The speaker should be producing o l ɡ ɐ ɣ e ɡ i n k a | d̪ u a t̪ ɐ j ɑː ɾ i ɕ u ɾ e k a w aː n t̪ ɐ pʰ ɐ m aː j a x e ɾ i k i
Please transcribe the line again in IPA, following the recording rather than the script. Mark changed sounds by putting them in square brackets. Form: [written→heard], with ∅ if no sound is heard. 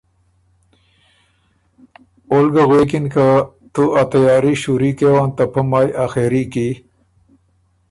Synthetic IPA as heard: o l ɡ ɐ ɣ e [ɡ→k] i n k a | [d̪→t̪] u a t̪ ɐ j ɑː ɾ i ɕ u ɾ [e→i] k [a→e] w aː n t̪ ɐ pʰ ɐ m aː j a x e ɾ i k i